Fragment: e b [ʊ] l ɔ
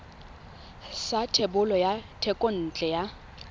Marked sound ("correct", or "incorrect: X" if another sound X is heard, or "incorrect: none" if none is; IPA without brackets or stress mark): correct